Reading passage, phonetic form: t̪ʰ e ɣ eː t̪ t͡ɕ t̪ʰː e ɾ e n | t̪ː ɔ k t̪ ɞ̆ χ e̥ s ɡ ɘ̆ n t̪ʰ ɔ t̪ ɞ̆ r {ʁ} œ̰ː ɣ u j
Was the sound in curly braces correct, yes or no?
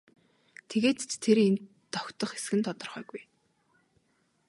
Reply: no